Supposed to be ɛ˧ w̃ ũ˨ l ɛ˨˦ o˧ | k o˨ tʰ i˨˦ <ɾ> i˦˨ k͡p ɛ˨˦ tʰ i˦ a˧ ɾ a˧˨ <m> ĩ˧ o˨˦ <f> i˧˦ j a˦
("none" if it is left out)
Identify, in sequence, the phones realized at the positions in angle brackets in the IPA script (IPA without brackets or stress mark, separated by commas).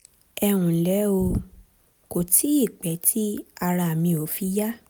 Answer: none, m, f